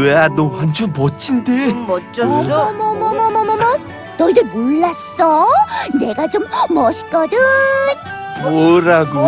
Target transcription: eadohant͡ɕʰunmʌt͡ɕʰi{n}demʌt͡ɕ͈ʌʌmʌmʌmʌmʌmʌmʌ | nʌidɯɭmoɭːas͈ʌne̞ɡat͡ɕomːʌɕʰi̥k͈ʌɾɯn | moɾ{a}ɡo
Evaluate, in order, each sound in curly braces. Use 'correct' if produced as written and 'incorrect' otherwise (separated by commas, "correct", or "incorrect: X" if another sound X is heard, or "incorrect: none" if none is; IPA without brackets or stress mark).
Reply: correct, correct